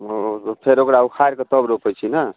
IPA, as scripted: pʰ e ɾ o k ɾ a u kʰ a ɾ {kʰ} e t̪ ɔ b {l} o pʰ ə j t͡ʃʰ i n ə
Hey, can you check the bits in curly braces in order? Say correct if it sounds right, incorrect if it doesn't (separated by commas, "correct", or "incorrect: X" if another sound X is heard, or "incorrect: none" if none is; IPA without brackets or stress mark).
incorrect: k, incorrect: ɾ